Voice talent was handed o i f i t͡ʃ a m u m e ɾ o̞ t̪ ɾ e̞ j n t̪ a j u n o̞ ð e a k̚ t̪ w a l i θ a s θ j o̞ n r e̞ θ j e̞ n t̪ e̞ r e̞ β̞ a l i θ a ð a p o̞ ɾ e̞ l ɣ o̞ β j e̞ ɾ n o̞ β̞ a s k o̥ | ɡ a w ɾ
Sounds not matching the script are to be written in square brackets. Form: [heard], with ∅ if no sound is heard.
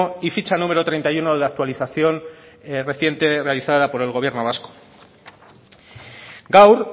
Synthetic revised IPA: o i f i t͡ʃ a [n] u m e ɾ o̞ t̪ ɾ e̞ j n t̪ a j u n o̞ ð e a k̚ t̪ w a l i θ a [∅] θ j o̞ n r e̞ θ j e̞ n t̪ e̞ r e̞ [∅] a l i θ a ð a p o̞ ɾ e̞ l ɣ o̞ β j e̞ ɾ n o̞ β̞ a s k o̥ | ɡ a w ɾ